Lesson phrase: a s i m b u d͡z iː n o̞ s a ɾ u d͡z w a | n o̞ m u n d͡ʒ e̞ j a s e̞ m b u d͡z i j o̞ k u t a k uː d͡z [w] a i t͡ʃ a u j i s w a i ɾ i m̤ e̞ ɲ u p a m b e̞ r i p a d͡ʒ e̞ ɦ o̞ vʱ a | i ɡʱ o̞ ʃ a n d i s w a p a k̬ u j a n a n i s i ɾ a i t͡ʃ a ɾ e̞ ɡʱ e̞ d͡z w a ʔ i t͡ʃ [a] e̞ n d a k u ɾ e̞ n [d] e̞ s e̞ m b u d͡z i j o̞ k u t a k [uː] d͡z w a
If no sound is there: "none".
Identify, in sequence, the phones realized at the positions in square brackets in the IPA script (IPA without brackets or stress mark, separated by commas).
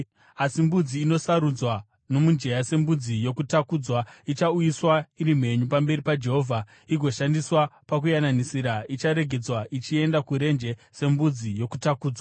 w, i, d͡ʒ, uː